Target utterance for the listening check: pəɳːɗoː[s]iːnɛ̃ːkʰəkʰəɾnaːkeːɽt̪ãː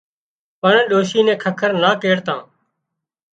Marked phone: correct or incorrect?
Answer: incorrect